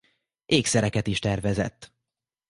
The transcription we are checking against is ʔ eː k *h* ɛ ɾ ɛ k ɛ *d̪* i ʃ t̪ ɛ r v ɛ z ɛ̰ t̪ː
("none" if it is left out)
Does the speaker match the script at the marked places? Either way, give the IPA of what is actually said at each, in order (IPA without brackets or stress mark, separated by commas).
s, t̪